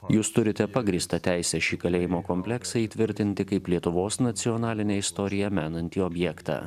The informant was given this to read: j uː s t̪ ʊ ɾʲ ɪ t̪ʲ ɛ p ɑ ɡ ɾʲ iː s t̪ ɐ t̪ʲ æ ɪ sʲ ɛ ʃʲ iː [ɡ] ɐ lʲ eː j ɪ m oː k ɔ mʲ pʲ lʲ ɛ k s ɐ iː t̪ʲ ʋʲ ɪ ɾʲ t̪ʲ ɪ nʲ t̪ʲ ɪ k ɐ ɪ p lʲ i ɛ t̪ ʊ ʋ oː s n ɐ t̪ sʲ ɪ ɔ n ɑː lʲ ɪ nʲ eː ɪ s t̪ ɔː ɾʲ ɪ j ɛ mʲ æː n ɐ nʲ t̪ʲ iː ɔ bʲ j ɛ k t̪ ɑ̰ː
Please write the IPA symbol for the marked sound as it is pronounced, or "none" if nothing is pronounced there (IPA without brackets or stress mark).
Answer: k